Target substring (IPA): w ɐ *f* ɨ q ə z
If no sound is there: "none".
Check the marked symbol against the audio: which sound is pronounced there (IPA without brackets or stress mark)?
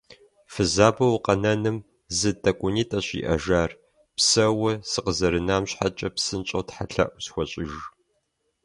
s